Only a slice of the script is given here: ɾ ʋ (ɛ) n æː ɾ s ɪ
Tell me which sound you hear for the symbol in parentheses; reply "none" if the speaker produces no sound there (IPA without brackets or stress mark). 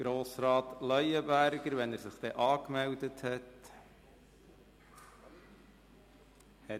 ɛ